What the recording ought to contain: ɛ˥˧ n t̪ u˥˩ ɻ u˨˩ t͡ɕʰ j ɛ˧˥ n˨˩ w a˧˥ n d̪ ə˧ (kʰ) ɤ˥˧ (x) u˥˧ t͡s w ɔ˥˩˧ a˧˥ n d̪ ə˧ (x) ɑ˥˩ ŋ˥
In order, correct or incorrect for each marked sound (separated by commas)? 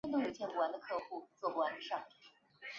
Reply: correct, correct, incorrect